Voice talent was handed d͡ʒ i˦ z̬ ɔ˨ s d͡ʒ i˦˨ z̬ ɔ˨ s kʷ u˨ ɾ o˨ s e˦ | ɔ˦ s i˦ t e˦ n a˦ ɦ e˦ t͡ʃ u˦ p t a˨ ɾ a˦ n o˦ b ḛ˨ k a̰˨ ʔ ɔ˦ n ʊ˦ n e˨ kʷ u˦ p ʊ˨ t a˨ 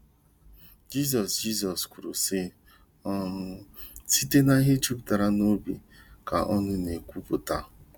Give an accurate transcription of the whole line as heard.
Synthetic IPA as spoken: d͡ʒ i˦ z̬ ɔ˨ s d͡ʒ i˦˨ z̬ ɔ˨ s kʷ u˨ ɾ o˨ s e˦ | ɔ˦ s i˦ t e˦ n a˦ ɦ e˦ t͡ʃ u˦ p t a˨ ɾ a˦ n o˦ b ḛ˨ k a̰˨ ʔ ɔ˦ n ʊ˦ n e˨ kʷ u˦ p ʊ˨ t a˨